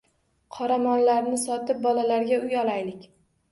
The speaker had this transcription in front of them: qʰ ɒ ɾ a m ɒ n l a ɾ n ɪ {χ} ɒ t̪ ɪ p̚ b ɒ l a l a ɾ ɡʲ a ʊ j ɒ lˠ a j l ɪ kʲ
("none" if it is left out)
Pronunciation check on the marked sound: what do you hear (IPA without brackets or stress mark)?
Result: s